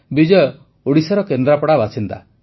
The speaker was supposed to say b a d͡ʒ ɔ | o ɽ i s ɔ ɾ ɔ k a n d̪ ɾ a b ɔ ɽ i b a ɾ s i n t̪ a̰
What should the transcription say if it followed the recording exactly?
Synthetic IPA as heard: b i d͡ʒ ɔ | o ɽ i s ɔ ɾ ɔ k e n d̪ ɾ a p ɔ ɽ a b a s i n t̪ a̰

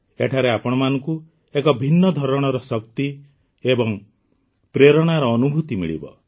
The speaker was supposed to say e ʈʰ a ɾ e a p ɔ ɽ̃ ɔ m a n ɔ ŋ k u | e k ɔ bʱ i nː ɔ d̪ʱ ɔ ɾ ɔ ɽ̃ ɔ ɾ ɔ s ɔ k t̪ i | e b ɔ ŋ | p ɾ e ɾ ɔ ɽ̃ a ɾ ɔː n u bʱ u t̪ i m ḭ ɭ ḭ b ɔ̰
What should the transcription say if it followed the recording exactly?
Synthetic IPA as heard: e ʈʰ a ɾ e a p ɔ ɽ̃ ɔ m a n ɔ ŋ k u | e k ɔ bʱ i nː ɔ d̪ʱ ɔ ɾ ɔ ɽ̃ ɔ ɾ ɔ s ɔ k t̪ i | e b ɔ ŋ | p ɾ e ɾ ɔ ɽ̃ a ɾ ɔː n u bʱ u t̪ i m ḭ ɭ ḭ b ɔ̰

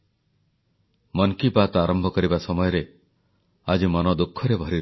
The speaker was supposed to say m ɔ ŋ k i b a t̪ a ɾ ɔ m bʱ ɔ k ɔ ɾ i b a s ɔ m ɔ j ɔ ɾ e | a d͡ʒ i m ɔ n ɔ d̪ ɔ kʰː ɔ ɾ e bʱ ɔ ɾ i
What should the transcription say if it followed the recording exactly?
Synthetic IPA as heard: m ɔ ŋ k i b a t̪ a ɾ ɔ m bʱ ɔ k ɔ ɾ i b a s ɔ m ɔ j ɔ ɾ e | a d͡ʒ i m ɔ n ɔ d̪ u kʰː ɔ ɾ e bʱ ɔ ɾ i

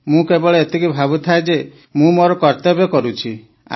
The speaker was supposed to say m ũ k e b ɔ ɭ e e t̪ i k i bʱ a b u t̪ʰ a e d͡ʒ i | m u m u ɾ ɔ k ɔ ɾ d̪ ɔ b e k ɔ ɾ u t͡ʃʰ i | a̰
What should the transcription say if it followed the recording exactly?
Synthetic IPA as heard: m ũ k e b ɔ ɭ e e t̪ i k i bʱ a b u t̪ʰ a e d͡ʒ e | m ũ m o ɾ ɔ k ɔ ɾ t̪ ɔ b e k ɔ ɾ u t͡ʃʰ i | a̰

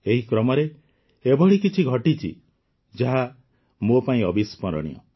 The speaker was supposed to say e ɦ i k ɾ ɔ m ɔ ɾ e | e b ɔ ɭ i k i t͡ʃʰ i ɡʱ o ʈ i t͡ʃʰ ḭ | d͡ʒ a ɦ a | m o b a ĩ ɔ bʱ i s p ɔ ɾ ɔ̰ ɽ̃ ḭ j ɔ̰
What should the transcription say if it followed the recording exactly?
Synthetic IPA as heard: e ɦ i k ɾ ɔ m ɔ ɾ e | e b ɔ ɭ i k i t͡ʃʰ i ɡʱ ɔ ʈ i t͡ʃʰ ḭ | d͡ʒ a ɦ a | m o p a ĩ ɔ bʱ i s p ɔ ɾ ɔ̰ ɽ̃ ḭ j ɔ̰

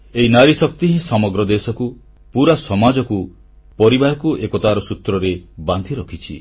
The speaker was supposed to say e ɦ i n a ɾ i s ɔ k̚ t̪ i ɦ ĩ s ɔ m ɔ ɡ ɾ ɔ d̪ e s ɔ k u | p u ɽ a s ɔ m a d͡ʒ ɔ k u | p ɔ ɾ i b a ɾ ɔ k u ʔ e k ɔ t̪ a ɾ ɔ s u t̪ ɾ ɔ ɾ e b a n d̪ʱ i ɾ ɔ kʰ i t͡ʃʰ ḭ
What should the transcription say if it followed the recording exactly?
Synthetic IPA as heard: e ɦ i n a ɾ i s ɔ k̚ t̪ i ɦ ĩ s ɔ m ɔ ɡ ɾ ɔ d̪ e s ɔ k u | p u ɾ a s ɔ m a d͡ʒ ɔ k u | p ɔ ɾ i b a ɾ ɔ k u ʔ e k ɔ t̪ a ɾ ɔ s u t̪ ɾ ɔ ɾ e b a n d̪ʱ i ɾ ɔ kʰ i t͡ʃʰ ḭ

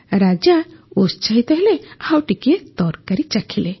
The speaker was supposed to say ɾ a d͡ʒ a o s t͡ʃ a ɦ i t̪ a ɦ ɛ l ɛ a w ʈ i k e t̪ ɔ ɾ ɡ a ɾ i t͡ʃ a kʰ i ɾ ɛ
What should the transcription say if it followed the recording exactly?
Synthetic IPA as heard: ɾ a d͡ʒ a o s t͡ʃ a ɦ i t̪ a ɦ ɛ l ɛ a w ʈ i k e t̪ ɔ ɾ k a ɾ i t͡ʃ a kʰ i l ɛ

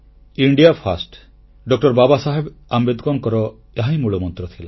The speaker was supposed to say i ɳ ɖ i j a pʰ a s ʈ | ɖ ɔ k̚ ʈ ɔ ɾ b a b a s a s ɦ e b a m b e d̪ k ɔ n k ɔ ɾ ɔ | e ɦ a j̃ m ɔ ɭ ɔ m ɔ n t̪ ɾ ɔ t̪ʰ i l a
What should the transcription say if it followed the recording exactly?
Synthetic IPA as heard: i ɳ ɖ i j a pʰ a s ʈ | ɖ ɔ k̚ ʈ ɔ ɾ b a b a s a ɦ e b a m b e d̪ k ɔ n k ɔ ɾ ɔ | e ɦ a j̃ m u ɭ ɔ m ɔ n t̪ ɾ ɔ t̪ʰ i l a

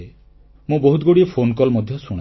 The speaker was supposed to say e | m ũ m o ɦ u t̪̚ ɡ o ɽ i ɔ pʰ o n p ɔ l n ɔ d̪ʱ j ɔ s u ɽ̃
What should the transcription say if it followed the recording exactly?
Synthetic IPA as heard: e | m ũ b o ɦ u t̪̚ ɡ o ɽ i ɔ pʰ o n k ɔ l m ɔ d̪ʱ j ɔ s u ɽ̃

